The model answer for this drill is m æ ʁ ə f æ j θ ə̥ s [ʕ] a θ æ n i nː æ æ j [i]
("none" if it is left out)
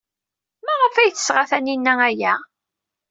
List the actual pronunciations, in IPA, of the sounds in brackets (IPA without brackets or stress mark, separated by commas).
ʁ, æ